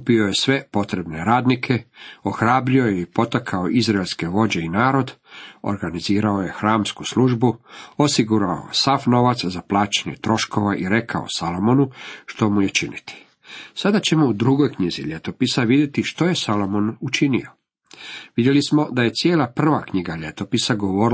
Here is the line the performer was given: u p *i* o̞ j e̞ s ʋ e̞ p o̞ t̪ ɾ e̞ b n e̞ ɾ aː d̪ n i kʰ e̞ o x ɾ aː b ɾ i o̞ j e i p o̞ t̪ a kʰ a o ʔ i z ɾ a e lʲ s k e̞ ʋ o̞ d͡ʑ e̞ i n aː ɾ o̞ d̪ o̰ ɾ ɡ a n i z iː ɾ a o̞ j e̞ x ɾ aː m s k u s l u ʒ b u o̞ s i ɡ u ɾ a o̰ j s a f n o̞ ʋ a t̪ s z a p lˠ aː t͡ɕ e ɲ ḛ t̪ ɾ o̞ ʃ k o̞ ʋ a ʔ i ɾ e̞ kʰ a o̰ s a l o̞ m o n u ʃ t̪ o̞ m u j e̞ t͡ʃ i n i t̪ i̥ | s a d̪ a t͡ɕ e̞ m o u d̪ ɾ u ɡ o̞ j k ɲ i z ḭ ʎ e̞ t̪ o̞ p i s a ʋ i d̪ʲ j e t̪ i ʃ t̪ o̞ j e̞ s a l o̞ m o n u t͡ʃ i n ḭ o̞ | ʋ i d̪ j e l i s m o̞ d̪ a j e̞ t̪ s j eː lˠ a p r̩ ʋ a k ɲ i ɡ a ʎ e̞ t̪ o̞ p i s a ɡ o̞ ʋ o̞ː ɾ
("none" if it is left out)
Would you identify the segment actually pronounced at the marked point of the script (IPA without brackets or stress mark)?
i